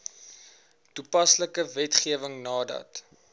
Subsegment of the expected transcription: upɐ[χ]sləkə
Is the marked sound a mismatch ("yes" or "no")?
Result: yes